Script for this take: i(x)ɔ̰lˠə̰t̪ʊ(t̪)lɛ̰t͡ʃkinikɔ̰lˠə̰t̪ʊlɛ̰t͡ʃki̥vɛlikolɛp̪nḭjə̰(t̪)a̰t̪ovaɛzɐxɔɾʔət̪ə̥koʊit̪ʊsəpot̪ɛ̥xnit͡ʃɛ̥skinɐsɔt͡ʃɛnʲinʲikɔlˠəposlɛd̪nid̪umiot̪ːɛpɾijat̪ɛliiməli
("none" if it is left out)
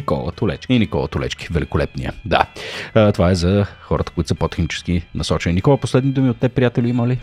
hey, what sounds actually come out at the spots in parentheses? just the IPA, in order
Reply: k, none, d̪

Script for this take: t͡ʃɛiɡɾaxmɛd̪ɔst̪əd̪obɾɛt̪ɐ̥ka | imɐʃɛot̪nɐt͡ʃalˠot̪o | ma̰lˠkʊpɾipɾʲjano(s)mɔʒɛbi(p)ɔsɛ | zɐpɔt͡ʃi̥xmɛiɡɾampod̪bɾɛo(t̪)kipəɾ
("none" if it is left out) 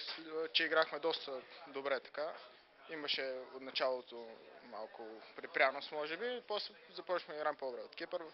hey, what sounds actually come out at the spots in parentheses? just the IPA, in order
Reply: s, p, t̪

